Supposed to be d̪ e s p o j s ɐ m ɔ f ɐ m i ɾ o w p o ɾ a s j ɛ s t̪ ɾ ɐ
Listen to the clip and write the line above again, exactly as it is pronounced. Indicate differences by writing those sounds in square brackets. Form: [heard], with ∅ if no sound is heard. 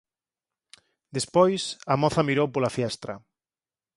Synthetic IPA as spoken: d̪ e s p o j s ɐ m ɔ [θ] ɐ m i ɾ o w p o [l] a [f] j ɛ s t̪ ɾ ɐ

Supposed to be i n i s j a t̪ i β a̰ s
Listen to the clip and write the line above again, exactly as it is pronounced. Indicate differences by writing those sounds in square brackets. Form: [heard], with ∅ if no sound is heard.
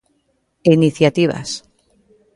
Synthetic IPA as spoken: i n i [θ] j a t̪ i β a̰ s

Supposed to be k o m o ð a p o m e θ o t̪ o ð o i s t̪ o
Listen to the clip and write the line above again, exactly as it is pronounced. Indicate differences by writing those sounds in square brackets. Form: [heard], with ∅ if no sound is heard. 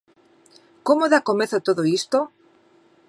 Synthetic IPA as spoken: k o m o ð a [k] o m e θ o t̪ o ð o i s t̪ o

